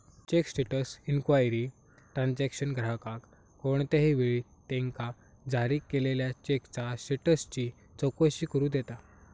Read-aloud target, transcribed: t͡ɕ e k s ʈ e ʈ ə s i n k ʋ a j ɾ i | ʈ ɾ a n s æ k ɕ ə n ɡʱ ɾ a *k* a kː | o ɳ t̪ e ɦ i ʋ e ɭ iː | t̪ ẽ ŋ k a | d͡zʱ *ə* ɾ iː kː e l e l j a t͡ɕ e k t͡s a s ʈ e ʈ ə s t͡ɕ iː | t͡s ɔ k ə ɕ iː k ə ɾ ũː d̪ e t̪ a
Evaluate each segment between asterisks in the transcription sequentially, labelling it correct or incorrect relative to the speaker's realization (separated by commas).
correct, incorrect